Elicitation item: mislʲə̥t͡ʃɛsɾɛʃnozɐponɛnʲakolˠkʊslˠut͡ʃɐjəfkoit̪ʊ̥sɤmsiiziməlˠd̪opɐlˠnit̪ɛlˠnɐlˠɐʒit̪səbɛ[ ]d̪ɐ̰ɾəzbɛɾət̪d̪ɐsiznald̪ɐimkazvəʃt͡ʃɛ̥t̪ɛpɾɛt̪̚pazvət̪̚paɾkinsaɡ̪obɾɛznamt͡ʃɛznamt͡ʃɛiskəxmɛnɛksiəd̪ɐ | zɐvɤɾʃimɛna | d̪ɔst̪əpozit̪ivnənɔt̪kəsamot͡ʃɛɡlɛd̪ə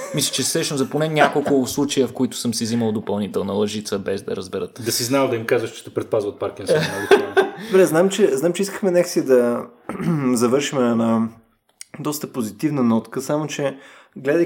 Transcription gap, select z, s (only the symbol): z